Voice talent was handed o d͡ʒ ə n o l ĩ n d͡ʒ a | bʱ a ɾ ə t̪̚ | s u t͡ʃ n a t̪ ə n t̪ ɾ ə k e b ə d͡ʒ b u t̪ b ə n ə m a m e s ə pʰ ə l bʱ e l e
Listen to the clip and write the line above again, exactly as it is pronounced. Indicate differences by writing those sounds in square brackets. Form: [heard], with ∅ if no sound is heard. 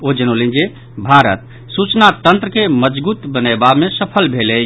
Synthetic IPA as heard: o d͡ʒ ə n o l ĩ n d͡ʒ [e] | bʱ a ɾ ə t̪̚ | s u t͡ʃ n a t̪ ə n t̪ ɾ ə k e [m] ə d͡ʒ b u t̪ b ə n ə [b] a m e s ə pʰ ə l bʱ e l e